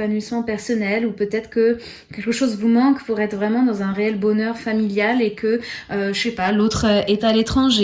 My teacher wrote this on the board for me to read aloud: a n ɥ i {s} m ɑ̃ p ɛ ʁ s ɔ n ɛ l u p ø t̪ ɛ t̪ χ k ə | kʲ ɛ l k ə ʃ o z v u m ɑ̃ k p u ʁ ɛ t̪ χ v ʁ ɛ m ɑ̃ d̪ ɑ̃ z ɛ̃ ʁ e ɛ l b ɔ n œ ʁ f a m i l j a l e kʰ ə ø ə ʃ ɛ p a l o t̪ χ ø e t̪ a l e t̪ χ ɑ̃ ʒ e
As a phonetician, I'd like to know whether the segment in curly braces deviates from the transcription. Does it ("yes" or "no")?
no